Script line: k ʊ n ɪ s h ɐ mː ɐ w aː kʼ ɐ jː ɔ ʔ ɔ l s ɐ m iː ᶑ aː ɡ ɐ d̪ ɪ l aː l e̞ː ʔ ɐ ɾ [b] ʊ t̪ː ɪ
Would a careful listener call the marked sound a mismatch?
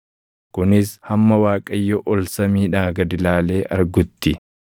yes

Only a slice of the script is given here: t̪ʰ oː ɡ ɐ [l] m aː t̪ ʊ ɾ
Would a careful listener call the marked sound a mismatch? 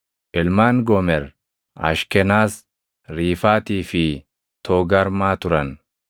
yes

